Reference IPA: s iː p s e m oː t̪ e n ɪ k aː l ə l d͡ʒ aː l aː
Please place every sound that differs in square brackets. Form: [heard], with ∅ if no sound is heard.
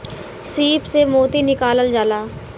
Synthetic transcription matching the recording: s iː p s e m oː t̪ [i] n ɪ k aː l ə l d͡ʒ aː l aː